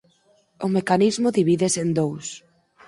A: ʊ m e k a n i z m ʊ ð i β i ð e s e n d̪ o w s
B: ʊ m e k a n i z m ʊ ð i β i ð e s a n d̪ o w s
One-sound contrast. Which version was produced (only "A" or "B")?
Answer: A